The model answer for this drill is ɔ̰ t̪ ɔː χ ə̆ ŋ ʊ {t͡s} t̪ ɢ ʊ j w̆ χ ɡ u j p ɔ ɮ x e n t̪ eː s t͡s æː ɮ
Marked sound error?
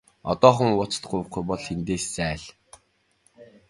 no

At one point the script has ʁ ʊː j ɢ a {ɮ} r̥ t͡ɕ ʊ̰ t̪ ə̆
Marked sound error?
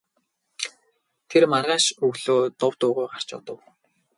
yes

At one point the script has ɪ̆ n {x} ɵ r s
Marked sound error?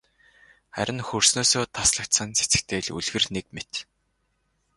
no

